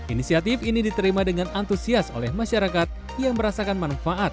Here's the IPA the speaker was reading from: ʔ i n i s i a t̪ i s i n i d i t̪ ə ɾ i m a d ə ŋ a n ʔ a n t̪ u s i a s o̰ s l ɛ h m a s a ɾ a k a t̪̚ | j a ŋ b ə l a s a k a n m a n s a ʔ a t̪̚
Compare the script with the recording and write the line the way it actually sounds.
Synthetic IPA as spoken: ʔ i n i s i a t̪ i f i n i d i t̪ ə ɾ i m a d ə ŋ a n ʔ a n t̪ u s i a s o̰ l ɛ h m a ʃ a ɾ a k a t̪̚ | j a ŋ b ə ɾ a s a k a n m a n f a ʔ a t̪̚